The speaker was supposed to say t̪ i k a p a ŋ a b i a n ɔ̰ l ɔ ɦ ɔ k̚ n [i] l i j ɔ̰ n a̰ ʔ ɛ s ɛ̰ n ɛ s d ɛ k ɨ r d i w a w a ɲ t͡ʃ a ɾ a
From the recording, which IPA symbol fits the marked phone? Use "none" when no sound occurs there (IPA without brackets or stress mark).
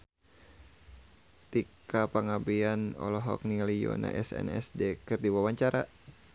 i